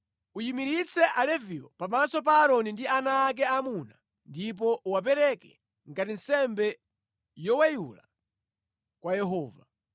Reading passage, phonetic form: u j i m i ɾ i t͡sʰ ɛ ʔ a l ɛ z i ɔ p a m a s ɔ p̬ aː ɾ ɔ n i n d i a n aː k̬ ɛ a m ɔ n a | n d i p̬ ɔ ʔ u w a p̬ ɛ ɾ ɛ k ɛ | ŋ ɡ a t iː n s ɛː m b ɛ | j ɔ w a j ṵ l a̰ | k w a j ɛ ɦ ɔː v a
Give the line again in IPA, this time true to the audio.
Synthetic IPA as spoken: u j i m i ɾ i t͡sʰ ɛ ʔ a l ɛ v i ɔ p a m a s ɔ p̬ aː ɾ ɔ n i n d i a n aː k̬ ɛ a m u n a | n d i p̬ ɔ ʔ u w a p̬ ɛ ɾ ɛ k ɛ | ŋ ɡ a t i n s ɛ m b ɛ | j ɔ w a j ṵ l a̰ | k w a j ɛ ɦ ɔː v a